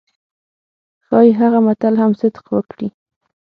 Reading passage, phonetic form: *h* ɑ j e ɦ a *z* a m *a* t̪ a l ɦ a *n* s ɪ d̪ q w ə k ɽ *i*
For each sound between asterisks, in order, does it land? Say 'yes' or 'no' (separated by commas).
no, no, yes, no, yes